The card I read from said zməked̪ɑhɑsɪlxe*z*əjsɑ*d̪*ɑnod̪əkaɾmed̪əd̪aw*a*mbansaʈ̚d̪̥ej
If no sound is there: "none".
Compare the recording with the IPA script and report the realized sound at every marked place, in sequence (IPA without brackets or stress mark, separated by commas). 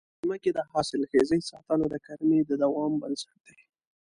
z, t̪, ɑ